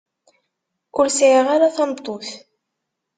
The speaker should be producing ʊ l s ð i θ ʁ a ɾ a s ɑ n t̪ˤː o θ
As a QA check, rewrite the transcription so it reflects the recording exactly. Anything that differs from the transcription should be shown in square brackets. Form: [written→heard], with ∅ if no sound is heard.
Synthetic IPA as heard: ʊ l s [ð→ʕ] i [θ→∅] ʁ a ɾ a [s→θ] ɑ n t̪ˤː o θ